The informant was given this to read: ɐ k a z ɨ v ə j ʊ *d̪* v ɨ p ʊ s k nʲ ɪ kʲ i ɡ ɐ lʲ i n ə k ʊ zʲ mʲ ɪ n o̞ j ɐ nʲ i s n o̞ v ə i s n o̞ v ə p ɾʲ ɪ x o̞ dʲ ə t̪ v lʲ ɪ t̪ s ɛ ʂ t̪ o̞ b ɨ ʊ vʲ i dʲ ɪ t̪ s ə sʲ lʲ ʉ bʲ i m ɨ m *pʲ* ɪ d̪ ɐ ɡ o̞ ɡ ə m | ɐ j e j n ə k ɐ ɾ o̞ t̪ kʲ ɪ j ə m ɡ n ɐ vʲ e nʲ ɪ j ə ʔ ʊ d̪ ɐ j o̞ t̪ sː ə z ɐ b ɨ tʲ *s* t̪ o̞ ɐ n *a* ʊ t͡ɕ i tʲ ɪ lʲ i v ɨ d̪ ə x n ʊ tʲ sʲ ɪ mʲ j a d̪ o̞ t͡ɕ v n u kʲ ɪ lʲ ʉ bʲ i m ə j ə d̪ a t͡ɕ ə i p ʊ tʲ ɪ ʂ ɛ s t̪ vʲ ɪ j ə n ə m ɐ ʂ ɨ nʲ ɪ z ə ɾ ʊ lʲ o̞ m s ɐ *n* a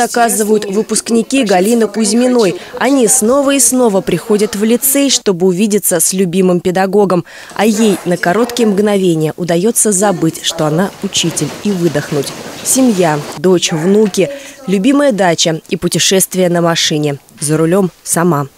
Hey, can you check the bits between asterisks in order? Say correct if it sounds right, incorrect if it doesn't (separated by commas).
incorrect, correct, incorrect, correct, incorrect